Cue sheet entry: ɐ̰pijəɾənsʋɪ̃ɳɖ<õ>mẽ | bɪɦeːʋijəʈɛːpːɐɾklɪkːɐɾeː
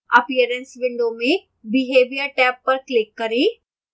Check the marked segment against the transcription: incorrect: o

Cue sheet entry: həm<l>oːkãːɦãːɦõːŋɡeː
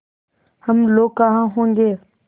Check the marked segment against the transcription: correct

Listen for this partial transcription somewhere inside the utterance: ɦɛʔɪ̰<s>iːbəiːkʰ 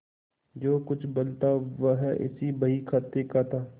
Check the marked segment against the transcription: correct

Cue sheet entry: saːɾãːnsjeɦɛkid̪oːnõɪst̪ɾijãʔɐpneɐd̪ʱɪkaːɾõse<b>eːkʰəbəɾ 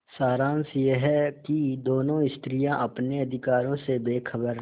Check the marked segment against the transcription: correct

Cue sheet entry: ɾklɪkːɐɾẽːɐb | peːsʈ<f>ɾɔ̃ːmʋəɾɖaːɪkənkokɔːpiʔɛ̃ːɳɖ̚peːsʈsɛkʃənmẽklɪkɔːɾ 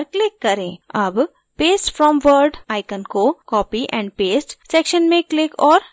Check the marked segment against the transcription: correct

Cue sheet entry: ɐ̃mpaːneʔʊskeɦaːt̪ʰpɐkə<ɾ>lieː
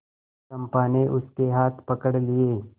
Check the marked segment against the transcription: incorrect: ɽ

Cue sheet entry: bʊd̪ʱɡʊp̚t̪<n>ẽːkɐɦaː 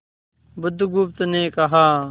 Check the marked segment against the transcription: correct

